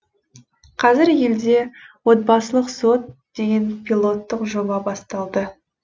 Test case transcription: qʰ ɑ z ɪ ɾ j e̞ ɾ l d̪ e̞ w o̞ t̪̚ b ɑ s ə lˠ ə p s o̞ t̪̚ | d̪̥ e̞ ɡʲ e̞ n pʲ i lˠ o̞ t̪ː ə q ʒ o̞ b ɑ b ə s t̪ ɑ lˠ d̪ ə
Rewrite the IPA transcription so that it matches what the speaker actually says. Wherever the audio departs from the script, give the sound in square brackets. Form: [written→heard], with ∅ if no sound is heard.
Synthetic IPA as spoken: qʰ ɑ z ɪ ɾ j e̞ [ɾ→∅] l d̪ e̞ w o̞ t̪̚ b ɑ s ə lˠ ə [p→q] s o̞ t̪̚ | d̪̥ e̞ ɡʲ e̞ n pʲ i lˠ o̞ t̪ː ə q ʒ o̞ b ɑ b [ə→ɑ] s t̪ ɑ lˠ d̪ ə